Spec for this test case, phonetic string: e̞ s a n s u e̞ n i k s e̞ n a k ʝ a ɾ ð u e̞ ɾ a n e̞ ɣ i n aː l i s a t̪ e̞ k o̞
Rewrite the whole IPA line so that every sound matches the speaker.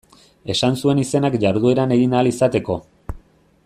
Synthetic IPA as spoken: e̞ s a n s u e̞ n i s e̞ n a k ʝ a ɾ ð u e̞ ɾ a n e̞ ɣ i n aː l i s a t̪ e̞ k o̞